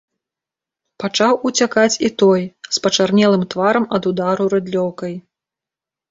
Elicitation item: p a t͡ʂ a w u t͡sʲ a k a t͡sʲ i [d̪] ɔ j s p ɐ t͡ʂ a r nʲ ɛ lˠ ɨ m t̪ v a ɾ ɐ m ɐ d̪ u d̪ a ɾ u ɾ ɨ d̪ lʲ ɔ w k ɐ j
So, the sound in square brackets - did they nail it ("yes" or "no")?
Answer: no